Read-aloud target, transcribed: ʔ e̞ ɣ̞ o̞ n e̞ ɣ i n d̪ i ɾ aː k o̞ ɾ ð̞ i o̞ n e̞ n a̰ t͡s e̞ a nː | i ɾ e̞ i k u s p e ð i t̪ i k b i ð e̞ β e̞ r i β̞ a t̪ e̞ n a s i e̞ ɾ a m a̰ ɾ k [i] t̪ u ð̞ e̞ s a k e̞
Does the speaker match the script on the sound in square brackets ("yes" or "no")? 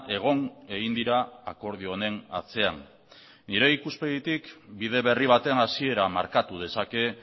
no